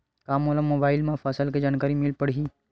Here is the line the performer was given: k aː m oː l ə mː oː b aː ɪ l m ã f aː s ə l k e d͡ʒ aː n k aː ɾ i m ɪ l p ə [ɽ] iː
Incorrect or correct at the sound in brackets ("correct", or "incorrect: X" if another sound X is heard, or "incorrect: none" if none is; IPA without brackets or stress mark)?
correct